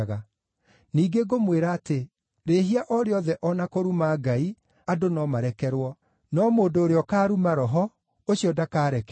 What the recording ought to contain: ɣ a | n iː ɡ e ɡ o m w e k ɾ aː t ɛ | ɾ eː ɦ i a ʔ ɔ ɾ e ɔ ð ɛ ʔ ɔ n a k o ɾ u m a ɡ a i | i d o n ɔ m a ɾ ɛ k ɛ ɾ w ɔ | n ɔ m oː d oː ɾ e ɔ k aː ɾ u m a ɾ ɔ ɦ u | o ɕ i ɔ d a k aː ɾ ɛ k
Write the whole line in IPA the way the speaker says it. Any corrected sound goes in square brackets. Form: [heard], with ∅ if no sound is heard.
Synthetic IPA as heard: ɣ a | n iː ɡ e ɡ o m w e [∅] ɾ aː t [e] | ɾ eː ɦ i a ʔ ɔ ɾ e ɔ ð ɛ ʔ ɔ n a k o ɾ u m a ɡ a i | [a] d o n ɔ m a ɾ ɛ k ɛ ɾ w ɔ | n ɔ m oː d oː ɾ e ɔ k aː ɾ u m a ɾ ɔ ɦ [ɔ] | o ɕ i ɔ d a k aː ɾ ɛ k